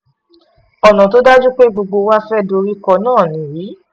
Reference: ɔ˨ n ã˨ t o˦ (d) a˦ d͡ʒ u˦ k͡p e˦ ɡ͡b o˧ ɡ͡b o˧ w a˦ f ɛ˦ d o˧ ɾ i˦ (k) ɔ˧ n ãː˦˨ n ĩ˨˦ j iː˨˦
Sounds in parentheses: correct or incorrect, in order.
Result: correct, correct

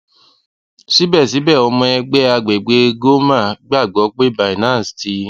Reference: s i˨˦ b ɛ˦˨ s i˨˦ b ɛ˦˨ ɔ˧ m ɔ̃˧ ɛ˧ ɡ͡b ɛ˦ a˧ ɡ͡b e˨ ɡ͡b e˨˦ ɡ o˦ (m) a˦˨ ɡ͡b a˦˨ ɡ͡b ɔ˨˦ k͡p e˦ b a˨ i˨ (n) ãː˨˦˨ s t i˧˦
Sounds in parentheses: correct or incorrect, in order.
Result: correct, correct

